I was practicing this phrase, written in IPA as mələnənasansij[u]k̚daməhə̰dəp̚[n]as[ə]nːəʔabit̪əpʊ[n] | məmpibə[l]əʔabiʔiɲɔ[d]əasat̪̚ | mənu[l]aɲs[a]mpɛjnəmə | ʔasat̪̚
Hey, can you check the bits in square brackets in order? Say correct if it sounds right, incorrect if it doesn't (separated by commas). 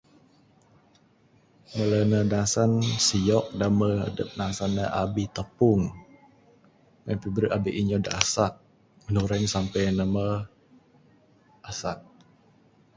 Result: incorrect, correct, incorrect, incorrect, incorrect, correct, incorrect, correct